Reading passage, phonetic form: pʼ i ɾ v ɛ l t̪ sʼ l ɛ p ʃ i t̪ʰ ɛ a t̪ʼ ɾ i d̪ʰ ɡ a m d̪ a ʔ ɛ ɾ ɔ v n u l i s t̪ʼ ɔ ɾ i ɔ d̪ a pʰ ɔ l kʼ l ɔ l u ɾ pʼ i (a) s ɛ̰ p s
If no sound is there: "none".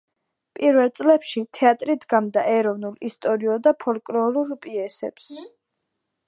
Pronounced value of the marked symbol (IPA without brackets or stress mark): ɛ